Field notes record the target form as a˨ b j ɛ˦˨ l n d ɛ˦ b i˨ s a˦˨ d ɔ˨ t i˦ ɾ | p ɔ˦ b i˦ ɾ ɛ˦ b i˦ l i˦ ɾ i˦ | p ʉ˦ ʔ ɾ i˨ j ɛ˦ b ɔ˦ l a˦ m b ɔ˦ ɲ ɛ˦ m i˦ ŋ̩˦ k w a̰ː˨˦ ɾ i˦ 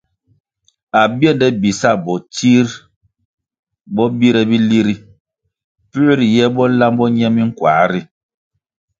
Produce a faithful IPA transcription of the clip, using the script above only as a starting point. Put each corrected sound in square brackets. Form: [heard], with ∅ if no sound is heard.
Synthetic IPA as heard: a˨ b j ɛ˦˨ [∅] n d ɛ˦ b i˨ s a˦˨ [b] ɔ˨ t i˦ ɾ | [b] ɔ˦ b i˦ ɾ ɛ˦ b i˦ l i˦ ɾ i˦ | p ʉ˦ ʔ ɾ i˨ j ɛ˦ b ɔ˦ l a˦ m b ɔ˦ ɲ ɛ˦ m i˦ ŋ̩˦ k w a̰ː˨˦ ɾ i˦

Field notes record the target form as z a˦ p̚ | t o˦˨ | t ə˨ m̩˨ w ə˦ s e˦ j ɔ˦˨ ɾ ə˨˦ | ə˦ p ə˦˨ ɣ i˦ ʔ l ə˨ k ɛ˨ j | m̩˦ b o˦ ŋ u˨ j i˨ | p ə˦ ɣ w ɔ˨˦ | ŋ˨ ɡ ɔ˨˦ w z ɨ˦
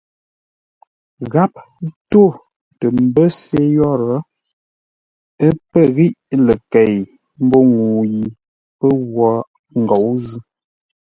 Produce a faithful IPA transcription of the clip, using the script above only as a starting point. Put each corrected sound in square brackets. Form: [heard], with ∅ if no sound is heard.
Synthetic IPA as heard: [ɣ] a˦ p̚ | t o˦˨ | t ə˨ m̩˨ [b] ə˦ s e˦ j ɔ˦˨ ɾ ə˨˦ | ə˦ p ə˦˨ ɣ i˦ ʔ l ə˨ k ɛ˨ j | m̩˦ b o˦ ŋ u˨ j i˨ | p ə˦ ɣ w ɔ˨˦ | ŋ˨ ɡ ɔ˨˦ w z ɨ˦

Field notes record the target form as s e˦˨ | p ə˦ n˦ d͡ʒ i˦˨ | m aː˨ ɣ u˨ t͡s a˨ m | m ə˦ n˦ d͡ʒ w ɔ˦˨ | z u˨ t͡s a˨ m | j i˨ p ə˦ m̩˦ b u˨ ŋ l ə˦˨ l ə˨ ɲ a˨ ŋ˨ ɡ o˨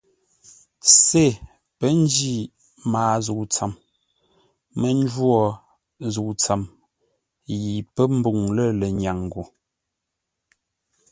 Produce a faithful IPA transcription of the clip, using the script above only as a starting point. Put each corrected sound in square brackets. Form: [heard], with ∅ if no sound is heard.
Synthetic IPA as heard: s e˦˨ | p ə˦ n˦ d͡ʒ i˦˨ | m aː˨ [z] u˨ t͡s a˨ m | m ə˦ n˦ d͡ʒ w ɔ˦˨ | z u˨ t͡s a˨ m | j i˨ p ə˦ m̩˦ b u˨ ŋ l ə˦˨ l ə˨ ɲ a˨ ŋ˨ ɡ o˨

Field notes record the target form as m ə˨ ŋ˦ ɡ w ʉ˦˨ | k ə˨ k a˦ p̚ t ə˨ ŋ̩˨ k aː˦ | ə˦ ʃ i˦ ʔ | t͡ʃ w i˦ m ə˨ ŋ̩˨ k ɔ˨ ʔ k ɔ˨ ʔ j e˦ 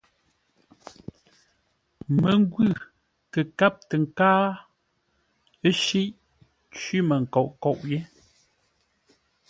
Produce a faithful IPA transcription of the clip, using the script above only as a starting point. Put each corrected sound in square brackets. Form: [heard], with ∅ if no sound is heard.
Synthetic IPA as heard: m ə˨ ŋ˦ ɡ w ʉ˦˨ | k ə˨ k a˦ p̚ t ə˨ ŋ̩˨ k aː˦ | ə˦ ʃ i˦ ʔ | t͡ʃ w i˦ m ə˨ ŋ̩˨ k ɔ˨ ʔ k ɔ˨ ʔ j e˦

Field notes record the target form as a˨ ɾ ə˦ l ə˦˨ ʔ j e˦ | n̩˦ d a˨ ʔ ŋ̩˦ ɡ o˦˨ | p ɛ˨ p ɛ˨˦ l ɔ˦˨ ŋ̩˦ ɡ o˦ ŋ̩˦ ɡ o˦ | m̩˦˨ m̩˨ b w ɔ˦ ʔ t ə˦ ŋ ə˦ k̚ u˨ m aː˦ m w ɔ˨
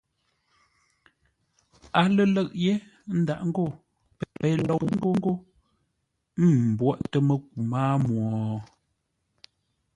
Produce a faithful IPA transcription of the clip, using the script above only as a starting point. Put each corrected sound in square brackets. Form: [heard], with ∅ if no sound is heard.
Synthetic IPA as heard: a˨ [l] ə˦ l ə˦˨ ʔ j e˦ | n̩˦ d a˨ ʔ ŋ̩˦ ɡ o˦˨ | p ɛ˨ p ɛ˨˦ l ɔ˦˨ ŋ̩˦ ɡ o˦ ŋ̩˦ ɡ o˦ | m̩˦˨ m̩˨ b w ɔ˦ ʔ t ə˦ [m] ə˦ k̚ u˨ m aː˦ m w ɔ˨

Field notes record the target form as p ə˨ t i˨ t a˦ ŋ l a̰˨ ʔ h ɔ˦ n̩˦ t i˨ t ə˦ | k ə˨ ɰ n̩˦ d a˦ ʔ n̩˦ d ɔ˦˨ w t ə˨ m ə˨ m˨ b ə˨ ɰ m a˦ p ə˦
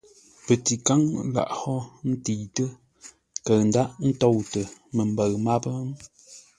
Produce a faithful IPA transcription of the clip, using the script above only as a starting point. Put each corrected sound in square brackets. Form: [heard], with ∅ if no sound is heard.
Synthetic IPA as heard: p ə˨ t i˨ [k] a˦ ŋ l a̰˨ ʔ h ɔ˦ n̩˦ t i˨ t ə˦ | k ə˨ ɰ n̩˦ d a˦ ʔ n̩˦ [t] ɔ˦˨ w t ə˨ m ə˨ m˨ b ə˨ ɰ m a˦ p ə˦

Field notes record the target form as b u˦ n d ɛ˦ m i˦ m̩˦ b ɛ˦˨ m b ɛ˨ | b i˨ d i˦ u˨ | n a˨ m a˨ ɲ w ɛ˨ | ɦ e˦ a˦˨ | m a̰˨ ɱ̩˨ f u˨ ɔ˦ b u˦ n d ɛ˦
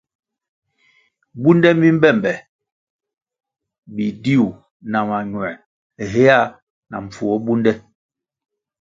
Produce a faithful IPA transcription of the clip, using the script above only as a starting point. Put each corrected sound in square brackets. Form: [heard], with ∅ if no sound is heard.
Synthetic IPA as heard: b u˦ n d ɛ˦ m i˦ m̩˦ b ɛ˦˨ m b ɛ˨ | b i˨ d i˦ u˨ | n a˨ m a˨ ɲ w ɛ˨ | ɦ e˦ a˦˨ | [n] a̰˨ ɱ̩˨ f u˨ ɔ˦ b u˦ n d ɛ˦

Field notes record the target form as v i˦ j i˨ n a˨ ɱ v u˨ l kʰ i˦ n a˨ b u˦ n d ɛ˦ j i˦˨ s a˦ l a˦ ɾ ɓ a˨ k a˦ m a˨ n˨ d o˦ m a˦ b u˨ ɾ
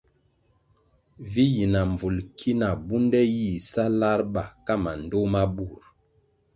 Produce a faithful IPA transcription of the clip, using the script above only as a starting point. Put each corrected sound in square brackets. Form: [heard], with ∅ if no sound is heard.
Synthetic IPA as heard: v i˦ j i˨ n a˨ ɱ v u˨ l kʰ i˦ n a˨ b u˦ n d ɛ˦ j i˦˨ s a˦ l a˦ ɾ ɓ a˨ k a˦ m a˨ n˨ d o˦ m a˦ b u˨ ɾ

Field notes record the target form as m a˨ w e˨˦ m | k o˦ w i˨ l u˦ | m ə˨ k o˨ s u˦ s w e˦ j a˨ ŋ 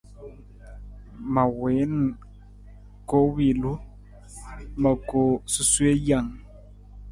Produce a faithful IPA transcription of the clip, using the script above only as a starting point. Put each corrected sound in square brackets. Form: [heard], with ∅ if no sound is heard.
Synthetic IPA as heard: m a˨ w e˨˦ [n] | k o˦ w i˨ l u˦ | m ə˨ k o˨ s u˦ s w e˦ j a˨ ŋ

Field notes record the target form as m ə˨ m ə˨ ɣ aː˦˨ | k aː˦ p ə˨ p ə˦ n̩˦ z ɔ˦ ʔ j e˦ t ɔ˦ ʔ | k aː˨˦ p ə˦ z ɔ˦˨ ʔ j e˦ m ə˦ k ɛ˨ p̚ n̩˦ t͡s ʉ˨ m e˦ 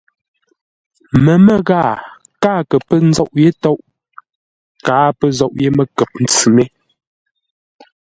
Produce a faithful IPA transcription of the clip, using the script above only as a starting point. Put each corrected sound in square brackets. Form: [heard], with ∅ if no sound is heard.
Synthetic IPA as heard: m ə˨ m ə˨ ɣ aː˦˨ | k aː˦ [k] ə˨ p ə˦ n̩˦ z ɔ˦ ʔ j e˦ t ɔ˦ ʔ | k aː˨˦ p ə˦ z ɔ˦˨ ʔ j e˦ m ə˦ k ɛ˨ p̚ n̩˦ t͡s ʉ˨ m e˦

